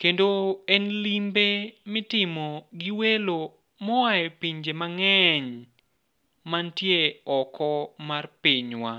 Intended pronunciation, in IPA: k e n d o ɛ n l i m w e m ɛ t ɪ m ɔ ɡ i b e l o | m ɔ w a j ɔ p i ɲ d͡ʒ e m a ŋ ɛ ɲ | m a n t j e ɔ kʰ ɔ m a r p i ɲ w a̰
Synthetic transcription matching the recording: k e n d o ɛ n l i m b e m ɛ t ɪ m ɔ ɡ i w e l o | m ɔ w a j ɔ p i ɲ d͡ʒ e m a ŋ ɛ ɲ | m a n t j e ɔ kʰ ɔ m a r p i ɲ w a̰